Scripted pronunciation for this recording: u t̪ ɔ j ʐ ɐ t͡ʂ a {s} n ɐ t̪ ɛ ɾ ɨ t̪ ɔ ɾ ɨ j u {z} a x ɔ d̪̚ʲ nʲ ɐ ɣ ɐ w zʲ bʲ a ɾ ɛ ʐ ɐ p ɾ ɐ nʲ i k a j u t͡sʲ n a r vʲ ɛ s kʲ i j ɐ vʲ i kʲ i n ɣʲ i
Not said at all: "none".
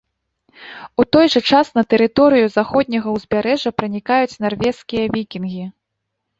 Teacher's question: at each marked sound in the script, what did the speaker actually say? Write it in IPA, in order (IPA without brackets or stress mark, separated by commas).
s, z